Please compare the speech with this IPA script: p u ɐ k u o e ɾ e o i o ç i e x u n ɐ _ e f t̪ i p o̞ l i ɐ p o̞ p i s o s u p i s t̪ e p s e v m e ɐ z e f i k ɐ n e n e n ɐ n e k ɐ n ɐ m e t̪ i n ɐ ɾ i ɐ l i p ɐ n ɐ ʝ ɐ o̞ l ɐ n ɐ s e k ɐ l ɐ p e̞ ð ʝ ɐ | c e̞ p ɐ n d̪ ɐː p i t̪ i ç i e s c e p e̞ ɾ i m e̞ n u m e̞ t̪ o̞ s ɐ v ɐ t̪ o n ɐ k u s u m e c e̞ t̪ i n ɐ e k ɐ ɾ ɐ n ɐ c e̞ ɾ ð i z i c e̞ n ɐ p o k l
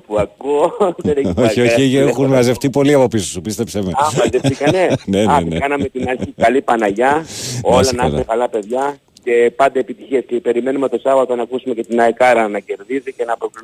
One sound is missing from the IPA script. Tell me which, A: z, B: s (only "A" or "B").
A